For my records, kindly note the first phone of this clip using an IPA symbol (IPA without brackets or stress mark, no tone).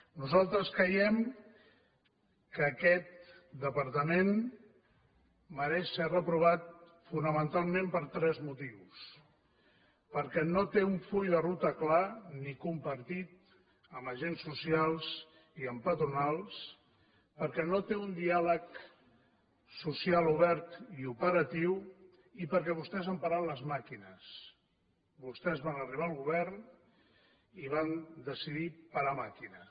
n